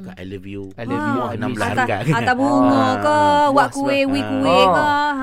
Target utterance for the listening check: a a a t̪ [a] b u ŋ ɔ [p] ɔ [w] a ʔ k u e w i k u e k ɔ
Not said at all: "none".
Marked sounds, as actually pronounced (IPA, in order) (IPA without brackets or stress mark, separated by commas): a, k, w